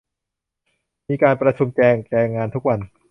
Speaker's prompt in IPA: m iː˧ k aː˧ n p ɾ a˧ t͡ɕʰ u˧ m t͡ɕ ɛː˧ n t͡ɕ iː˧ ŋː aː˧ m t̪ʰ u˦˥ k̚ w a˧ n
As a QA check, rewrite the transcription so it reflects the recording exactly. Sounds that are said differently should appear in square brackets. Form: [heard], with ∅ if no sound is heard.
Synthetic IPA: m iː˧ k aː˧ n p ɾ a˧ t͡ɕʰ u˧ m t͡ɕ ɛː˧ [ŋ] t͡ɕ [ɛː˧] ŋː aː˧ [n] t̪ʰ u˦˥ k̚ w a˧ n